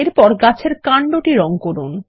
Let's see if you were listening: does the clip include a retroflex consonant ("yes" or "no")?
yes